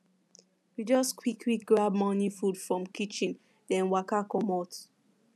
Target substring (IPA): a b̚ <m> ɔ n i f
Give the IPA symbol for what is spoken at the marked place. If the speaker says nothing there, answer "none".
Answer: m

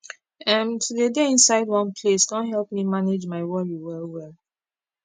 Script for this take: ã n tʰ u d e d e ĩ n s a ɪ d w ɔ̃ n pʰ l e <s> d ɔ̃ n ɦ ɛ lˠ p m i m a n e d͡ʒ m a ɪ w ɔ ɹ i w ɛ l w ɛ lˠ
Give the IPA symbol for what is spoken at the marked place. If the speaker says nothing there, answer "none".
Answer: s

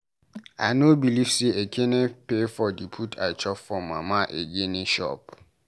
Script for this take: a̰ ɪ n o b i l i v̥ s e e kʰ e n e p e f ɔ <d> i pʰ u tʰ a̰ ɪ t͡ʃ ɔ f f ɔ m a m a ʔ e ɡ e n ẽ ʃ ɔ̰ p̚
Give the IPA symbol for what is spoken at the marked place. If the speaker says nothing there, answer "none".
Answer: d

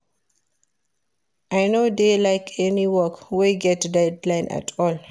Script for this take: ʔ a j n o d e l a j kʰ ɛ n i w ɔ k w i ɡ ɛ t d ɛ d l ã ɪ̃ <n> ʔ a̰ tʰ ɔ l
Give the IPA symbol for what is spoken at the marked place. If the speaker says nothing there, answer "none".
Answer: n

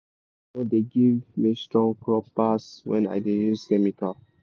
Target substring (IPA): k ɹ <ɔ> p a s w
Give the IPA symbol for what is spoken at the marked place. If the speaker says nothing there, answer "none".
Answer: ɔ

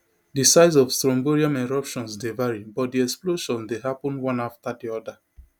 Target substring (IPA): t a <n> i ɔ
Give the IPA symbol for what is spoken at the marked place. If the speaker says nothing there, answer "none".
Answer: d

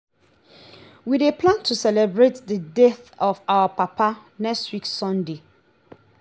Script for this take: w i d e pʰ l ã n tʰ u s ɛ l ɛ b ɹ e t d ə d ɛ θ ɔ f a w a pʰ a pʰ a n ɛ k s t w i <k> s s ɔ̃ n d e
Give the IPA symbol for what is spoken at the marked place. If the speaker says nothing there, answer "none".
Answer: k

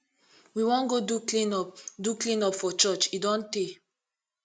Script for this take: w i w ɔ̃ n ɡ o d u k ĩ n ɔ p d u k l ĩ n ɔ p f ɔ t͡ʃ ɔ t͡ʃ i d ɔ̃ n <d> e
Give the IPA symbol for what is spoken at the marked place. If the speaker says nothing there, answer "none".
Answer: t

